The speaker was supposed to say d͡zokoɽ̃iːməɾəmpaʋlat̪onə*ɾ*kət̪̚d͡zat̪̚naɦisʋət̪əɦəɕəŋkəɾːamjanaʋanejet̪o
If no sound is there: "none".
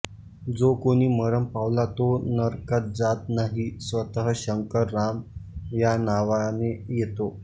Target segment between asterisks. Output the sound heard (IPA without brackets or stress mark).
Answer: ɾ